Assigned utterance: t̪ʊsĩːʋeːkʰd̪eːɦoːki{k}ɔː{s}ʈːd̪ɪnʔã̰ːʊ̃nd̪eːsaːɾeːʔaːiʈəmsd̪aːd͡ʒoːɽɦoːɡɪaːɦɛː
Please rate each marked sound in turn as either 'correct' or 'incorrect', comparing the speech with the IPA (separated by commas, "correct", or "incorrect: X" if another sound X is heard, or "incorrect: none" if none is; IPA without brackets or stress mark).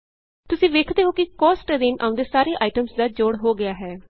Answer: correct, correct